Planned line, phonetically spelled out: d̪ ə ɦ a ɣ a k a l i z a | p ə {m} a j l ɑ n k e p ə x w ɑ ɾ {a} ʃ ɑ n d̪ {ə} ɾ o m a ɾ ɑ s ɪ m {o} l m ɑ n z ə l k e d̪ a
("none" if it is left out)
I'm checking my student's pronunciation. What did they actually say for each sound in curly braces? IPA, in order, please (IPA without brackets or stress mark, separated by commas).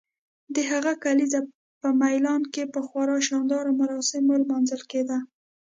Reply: m, ɑ, ɑ, o